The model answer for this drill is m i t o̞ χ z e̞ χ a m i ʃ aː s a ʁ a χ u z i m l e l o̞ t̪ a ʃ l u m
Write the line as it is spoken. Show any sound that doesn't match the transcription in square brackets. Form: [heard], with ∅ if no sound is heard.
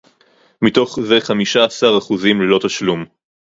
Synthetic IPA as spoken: m i t o̞ χ z e̞ χ a m i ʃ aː s a ʁ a χ u z i m l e l o̞ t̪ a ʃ l u m